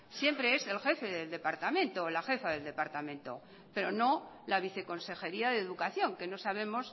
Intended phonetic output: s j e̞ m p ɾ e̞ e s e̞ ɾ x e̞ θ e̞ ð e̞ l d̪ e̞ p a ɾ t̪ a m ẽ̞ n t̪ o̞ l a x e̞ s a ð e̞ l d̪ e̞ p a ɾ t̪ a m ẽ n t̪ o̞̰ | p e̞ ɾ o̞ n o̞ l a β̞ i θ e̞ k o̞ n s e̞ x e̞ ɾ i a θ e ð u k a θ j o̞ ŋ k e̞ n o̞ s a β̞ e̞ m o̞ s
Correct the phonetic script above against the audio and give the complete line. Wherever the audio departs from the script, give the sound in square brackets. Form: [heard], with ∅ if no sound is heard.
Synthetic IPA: s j e̞ m p ɾ e̞ e s e̞ [l] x e̞ [f] e̞ ð e̞ l d̪ e̞ p a ɾ t̪ a m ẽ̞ n t̪ o̞ l a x e̞ [f] a ð e̞ l d̪ e̞ p a ɾ t̪ a m ẽ n t̪ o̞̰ | p e̞ ɾ o̞ n o̞ l a β̞ i θ e̞ k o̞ n s e̞ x e̞ ɾ i a [ð] e ð u k a θ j o̞ ŋ k e̞ n o̞ s a β̞ e̞ m o̞ s